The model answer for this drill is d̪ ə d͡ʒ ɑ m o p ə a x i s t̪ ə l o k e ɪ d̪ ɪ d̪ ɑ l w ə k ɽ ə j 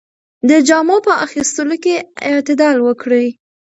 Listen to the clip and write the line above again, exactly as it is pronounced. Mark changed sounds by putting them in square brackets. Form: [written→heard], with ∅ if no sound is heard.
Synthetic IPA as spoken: d̪ ə d͡ʒ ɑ m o p ə a x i s t̪ ə l o k e ɪ [d̪→t̪] ɪ d̪ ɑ l w ə k ɽ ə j